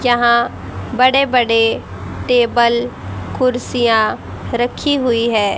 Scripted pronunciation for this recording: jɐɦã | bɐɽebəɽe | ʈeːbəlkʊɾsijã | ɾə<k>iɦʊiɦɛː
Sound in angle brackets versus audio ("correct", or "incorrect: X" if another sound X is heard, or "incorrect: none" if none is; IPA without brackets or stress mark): incorrect: kʰ